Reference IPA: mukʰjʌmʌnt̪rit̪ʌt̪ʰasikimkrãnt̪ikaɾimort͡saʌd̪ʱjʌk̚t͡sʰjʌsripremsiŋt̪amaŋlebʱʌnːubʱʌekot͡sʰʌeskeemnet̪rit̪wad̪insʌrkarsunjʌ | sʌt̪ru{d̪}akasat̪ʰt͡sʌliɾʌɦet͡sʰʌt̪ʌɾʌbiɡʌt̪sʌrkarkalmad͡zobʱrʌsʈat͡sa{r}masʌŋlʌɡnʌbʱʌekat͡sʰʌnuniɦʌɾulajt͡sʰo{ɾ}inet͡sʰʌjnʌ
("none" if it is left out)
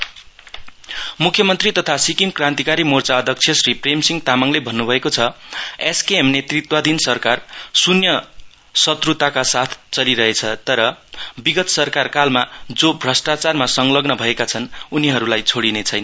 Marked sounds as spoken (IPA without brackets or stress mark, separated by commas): t̪, r, ɽ